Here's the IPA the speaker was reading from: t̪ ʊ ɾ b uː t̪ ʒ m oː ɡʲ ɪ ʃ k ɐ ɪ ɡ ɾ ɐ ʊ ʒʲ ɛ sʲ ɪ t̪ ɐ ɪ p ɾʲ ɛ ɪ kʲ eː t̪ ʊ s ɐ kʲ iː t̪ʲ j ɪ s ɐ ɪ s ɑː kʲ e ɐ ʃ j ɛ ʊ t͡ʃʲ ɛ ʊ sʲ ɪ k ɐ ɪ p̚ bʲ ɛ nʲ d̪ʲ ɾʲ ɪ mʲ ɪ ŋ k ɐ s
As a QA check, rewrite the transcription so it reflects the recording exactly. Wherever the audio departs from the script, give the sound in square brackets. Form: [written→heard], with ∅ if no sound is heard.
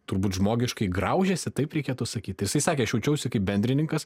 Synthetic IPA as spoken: t̪ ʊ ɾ b uː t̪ ʒ m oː ɡʲ ɪ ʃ k ɐ ɪ ɡ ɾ ɐ ʊ ʒʲ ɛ sʲ ɪ t̪ ɐ ɪ p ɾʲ ɛ ɪ kʲ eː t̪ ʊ s ɐ kʲ iː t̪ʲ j ɪ s ɐ ɪ s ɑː kʲ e ɐ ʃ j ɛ ʊ t͡ʃʲ ɛ ʊ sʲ ɪ k ɐ ɪ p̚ bʲ ɛ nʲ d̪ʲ ɾʲ ɪ [mʲ→nʲ] ɪ ŋ k ɐ s

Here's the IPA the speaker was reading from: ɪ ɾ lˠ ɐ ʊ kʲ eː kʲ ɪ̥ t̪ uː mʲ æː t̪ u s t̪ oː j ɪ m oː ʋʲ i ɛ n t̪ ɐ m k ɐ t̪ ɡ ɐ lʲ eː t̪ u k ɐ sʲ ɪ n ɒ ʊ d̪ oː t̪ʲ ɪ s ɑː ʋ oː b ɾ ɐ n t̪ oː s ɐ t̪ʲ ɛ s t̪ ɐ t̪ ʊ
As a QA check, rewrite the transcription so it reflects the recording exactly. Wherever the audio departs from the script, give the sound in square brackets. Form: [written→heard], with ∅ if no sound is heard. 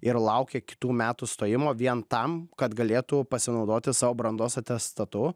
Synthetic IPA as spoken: ɪ ɾ lˠ ɐ ʊ kʲ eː kʲ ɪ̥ t̪ uː mʲ æː t̪ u s t̪ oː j ɪ m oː ʋʲ i ɛ n t̪ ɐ m k ɐ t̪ ɡ ɐ lʲ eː t̪ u [k→p] ɐ sʲ ɪ n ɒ ʊ d̪ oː t̪ʲ ɪ s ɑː ʋ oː b ɾ ɐ n [t̪→d̪] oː s ɐ t̪ʲ ɛ s t̪ ɐ t̪ ʊ

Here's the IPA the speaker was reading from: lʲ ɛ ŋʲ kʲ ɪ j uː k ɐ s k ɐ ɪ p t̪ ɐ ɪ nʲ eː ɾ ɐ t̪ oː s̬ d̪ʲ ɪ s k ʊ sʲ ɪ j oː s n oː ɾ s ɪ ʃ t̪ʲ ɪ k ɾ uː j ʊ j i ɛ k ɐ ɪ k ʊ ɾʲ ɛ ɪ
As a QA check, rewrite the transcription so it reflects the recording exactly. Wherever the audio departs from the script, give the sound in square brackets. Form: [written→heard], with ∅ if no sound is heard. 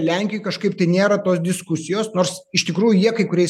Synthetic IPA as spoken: lʲ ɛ ŋʲ kʲ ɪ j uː k ɐ [s→ʃ] k ɐ ɪ p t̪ ɐ ɪ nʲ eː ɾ ɐ t̪ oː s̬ d̪ʲ ɪ s k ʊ sʲ ɪ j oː s n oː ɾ s ɪ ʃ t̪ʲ ɪ k ɾ uː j ʊ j i ɛ k ɐ ɪ k ʊ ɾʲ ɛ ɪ

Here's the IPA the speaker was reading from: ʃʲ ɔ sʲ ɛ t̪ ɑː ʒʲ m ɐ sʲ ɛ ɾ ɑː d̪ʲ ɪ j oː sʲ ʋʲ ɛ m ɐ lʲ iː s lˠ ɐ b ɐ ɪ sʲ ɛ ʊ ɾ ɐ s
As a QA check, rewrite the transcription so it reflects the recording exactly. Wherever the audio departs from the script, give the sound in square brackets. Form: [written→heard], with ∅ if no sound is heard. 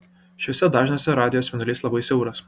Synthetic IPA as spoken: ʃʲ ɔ sʲ ɛ [t̪→d̪] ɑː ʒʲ [m→n] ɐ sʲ ɛ ɾ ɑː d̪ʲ ɪ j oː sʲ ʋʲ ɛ [m→n] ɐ lʲ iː s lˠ ɐ b ɐ ɪ sʲ ɛ ʊ ɾ ɐ s

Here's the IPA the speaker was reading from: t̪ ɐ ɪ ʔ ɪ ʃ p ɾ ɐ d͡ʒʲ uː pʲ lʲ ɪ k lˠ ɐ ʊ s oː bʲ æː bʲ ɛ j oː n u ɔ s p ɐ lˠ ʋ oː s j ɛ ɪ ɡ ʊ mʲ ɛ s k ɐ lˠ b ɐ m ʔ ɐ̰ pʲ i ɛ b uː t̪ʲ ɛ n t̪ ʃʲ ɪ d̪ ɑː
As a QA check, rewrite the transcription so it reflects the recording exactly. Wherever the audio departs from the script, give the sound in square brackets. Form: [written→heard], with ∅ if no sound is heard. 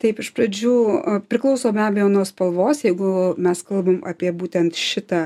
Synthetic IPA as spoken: t̪ ɐ ɪ [ʔ→p] ɪ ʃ p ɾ ɐ d͡ʒʲ uː pʲ [lʲ→ɾʲ] ɪ k lˠ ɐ ʊ s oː bʲ æː bʲ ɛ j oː n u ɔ s p ɐ lˠ ʋ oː s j ɛ ɪ ɡ ʊ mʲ ɛ s k ɐ lˠ b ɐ m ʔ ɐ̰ pʲ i ɛ b uː t̪ʲ ɛ n t̪ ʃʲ ɪ [d̪→t̪] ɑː

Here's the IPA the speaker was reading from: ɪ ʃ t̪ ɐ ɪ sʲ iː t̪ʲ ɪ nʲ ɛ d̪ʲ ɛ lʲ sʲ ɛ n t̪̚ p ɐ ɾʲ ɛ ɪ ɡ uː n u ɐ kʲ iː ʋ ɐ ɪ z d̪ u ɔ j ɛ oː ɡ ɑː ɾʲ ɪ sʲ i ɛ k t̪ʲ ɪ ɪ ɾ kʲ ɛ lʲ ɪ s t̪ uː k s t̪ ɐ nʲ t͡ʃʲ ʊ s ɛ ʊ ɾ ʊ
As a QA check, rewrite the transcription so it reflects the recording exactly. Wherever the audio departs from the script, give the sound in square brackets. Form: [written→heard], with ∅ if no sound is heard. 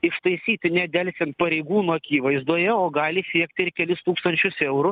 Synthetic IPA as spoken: ɪ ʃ t̪ ɐ ɪ sʲ iː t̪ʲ ɪ nʲ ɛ d̪ʲ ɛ lʲ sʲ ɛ n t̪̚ p ɐ ɾʲ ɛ ɪ ɡ uː n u ɐ kʲ iː ʋ ɐ ɪ z d̪ u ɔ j ɛ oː ɡ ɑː [ɾʲ→lʲ] ɪ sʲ i ɛ k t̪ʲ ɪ ɪ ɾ kʲ ɛ lʲ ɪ s t̪ uː k s t̪ ɐ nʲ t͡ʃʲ ʊ s ɛ ʊ ɾ ʊ

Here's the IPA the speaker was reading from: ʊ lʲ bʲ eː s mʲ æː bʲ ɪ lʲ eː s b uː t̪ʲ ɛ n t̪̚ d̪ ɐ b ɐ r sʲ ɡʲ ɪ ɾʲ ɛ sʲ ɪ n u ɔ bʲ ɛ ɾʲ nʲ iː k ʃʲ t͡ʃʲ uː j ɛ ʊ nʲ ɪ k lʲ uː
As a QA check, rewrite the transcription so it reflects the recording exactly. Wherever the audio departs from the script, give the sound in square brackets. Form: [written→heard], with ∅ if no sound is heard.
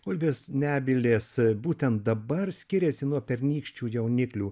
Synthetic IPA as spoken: ʊ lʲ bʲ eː s [mʲ→nʲ] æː bʲ ɪ lʲ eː s b uː t̪ʲ ɛ n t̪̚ d̪ ɐ b ɐ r sʲ [ɡʲ→kʲ] ɪ ɾʲ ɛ sʲ ɪ n u ɔ [bʲ→pʲ] ɛ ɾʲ nʲ iː k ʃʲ t͡ʃʲ uː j ɛ ʊ nʲ ɪ k lʲ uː

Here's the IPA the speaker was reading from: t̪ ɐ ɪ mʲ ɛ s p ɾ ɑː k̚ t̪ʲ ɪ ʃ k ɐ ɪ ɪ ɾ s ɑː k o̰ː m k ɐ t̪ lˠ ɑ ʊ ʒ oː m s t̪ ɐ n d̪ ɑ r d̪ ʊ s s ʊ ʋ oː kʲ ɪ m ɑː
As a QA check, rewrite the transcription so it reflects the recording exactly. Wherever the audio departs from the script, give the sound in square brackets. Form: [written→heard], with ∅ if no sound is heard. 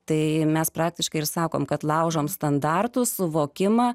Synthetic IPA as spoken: t̪ ɐ ɪ mʲ ɛ s p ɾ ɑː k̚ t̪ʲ ɪ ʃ k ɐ ɪ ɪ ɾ s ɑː k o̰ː m k ɐ t̪ lˠ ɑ ʊ ʒ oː m s t̪ ɐ n d̪ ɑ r [d̪→t̪] ʊ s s ʊ ʋ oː kʲ ɪ m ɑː

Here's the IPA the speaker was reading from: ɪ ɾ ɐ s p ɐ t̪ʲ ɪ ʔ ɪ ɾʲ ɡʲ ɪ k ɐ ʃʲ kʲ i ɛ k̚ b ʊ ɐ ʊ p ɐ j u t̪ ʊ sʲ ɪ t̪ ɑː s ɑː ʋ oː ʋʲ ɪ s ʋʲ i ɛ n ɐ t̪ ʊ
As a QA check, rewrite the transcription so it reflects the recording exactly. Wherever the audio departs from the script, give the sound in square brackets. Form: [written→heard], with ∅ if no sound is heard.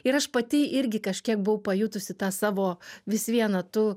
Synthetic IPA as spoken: ɪ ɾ ɐ [s→ʃ] p ɐ t̪ʲ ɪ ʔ ɪ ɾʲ ɡʲ ɪ k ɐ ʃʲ kʲ i ɛ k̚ b ʊ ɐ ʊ p ɐ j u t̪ ʊ sʲ ɪ t̪ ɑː s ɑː ʋ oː ʋʲ ɪ s ʋʲ i ɛ n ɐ t̪ ʊ

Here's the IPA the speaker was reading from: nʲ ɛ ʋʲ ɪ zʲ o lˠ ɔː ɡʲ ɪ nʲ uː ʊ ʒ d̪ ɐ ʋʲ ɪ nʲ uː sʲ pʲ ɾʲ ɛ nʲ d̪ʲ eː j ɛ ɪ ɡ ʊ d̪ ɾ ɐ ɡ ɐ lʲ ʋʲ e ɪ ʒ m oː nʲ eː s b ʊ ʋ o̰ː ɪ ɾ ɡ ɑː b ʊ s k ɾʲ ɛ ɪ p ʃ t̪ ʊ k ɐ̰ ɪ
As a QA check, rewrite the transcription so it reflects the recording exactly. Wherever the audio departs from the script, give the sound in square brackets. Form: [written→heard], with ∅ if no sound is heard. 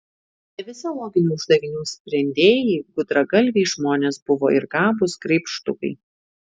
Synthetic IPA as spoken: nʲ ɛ ʋʲ ɪ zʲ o lˠ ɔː ɡʲ ɪ nʲ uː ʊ ʒ d̪ ɐ ʋʲ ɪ nʲ uː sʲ pʲ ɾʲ ɛ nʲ d̪ʲ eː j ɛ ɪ ɡ ʊ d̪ ɾ ɐ ɡ ɐ lʲ ʋʲ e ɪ ʒ m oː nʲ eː s b ʊ ʋ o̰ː ɪ ɾ ɡ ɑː b ʊ s k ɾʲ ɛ ɪ p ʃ t̪ ʊ k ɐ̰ ɪ

